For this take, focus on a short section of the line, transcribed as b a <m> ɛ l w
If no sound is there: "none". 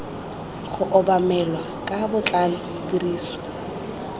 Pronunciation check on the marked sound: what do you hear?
m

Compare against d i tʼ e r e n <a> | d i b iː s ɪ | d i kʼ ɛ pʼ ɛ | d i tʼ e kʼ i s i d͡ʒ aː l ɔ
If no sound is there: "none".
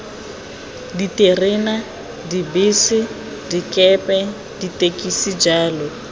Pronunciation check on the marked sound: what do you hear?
a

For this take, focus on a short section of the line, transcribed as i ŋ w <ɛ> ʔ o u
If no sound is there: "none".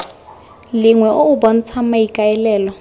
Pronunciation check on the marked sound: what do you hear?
ɛ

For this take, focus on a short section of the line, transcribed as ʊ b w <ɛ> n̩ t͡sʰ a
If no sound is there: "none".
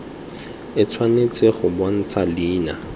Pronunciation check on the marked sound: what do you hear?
a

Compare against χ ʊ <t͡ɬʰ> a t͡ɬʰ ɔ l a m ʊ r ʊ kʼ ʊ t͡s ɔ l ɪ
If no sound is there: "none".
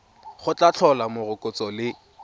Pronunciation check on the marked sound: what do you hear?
t͡ɬ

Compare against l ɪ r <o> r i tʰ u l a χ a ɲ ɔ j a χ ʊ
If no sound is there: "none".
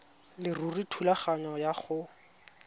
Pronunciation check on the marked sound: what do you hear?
u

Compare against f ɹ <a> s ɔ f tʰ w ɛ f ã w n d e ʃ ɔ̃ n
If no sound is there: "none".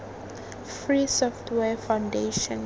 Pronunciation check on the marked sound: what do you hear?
i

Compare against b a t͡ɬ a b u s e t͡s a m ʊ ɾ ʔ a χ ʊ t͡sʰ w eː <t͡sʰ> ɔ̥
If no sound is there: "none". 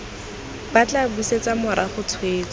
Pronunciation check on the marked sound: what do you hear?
t͡s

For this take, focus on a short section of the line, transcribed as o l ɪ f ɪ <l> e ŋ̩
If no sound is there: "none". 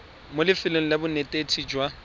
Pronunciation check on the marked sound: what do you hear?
l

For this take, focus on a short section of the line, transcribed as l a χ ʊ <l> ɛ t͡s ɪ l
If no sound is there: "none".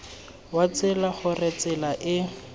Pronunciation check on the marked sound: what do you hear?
r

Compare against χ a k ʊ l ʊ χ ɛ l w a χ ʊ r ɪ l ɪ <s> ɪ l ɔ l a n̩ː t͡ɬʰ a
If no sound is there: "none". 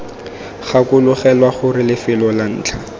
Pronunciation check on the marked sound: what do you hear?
f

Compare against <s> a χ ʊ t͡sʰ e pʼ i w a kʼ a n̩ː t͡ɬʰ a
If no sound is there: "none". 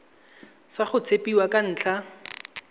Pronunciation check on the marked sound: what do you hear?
s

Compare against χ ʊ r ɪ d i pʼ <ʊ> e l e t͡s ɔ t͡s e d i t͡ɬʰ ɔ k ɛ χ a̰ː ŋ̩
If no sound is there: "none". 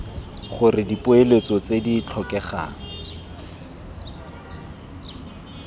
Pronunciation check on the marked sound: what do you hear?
ʊ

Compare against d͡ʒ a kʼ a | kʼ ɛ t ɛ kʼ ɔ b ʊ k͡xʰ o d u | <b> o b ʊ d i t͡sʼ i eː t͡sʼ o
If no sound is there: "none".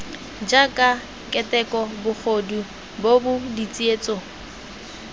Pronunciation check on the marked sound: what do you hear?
b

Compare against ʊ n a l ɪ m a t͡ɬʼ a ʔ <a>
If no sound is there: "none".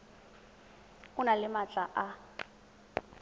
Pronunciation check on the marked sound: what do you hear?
a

